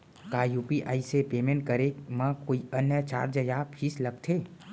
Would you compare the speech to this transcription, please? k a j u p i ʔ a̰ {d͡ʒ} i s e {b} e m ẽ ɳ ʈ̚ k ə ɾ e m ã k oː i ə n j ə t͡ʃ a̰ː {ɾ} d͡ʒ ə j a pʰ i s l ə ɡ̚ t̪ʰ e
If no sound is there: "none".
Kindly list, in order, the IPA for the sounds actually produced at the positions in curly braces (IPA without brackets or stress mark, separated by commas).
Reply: none, p, ɾ